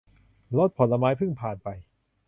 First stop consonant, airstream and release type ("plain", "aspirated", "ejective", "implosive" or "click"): plain